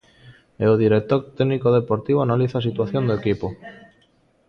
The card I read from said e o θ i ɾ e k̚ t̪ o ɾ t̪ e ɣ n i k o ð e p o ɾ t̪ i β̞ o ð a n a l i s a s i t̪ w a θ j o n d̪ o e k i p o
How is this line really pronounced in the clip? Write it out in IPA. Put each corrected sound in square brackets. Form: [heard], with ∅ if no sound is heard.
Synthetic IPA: e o [ð] i ɾ e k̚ t̪ o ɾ t̪ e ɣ n i k o ð e p o ɾ t̪ i β̞ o [∅] a n a l i [θ] a s i t̪ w a θ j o n d̪ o e k i p o

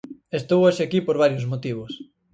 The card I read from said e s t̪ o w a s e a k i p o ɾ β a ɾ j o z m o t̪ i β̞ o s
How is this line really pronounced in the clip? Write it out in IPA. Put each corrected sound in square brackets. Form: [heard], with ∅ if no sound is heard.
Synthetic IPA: e s t̪ o w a [ʃ] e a k i p o ɾ β a ɾ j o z m o t̪ i β̞ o s

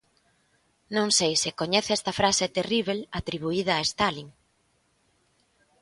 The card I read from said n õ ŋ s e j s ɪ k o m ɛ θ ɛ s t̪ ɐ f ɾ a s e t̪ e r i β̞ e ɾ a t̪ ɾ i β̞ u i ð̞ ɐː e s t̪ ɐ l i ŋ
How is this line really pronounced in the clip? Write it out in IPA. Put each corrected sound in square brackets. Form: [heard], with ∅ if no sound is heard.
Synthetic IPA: n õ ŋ s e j s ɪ k o [ɲ] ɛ θ ɛ s t̪ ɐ f ɾ a s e t̪ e r i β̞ e [l] a t̪ ɾ i β̞ u i ð̞ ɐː e s t̪ [a] l i ŋ

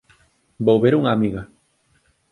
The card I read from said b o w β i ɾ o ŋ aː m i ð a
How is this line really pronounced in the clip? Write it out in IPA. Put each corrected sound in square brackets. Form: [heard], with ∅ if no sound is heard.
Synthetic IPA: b o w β [e] ɾ [u] ŋ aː m i [ɣ] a

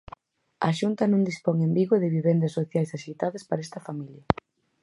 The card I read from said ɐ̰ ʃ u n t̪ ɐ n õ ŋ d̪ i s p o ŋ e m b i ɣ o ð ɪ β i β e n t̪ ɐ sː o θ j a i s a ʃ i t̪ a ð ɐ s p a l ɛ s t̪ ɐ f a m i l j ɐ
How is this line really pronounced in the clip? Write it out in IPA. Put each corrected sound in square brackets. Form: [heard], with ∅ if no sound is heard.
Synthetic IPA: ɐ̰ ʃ u n t̪ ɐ n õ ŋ d̪ i s p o ŋ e m b i ɣ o ð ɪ β i β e n [d̪] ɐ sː o θ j a [j] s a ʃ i t̪ a ð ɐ s p a [ɾ] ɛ s t̪ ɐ f a m i l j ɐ

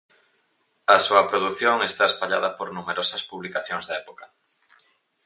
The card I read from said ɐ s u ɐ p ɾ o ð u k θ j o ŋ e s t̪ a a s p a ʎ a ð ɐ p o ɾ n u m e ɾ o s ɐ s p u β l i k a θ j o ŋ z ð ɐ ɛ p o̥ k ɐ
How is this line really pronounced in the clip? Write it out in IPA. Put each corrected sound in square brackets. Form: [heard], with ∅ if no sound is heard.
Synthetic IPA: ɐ s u ɐ p ɾ o ð u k θ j o ŋ e s t̪ a [e] s p a ʎ a ð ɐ p o ɾ n u m e ɾ o s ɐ s p u β l i k a θ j o ŋ z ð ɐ ɛ p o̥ k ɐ

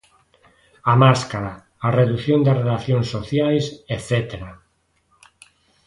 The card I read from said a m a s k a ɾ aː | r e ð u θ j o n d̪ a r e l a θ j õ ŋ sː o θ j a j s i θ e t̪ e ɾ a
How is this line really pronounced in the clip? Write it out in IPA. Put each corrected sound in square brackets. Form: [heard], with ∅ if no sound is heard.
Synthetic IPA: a m a s k a ɾ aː | r e ð u θ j o n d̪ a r e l a θ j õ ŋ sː o θ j a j s [e] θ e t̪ e ɾ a

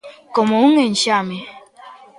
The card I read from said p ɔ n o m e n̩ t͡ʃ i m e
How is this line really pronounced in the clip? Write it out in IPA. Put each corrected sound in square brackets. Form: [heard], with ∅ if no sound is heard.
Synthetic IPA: [k] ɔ [m] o [ŋ] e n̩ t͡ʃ [a] m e

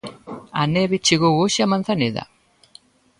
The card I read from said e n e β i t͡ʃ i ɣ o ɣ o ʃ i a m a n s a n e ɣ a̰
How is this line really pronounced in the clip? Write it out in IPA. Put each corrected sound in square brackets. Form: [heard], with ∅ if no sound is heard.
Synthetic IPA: [a] n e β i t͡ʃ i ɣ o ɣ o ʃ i a m a n [θ] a n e [ð] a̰

